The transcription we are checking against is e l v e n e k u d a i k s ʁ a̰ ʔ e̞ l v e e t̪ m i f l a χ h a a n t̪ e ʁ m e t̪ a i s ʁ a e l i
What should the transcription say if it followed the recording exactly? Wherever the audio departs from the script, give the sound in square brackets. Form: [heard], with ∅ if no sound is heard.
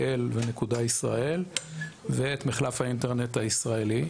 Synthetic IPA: e l v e n e k u d a i [∅] s ʁ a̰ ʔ e̞ l v e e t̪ m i [χ] l a [f] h a [i] n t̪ e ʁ [n] e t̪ a i s ʁ a e l i